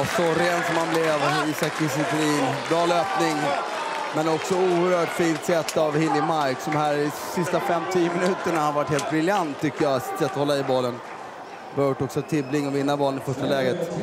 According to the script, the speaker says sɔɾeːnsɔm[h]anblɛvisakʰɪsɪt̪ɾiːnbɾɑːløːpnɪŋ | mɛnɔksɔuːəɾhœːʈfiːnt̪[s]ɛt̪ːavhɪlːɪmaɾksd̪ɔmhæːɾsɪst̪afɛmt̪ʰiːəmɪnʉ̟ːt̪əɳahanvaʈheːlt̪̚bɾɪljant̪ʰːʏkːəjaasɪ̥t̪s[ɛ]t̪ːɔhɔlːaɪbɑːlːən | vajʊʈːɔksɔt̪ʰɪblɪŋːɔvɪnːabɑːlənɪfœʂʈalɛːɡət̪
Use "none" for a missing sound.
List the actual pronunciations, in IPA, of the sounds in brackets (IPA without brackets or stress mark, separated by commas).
h, s, ɛ